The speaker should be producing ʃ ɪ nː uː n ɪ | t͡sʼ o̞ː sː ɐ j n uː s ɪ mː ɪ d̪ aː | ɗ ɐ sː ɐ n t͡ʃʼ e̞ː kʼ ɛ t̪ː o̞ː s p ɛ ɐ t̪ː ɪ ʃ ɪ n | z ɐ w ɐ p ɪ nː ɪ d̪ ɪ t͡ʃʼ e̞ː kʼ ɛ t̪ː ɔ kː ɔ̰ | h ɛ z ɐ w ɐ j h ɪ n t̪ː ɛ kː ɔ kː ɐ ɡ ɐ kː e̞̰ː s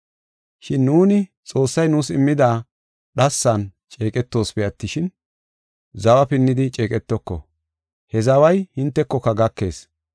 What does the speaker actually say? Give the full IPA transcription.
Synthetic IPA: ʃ ɪ nː uː n ɪ | t͡sʼ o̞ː sː ɐ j n uː s ɪ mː ɪ d̪ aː | ɗ ɐ sː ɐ n t͡ʃʼ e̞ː kʼ ɛ t̪ː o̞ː s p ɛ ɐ t̪ː ɪ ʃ ɪ n | z ɐ w ɐ p ɪ nː ɪ d̪ ɪ t͡ʃʼ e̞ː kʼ ɛ t̪ː ɔ kː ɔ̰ | h ɛ z ɐ w ɐ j h ɪ n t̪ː ɛ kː ɔ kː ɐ ɡ ɐ kː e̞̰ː s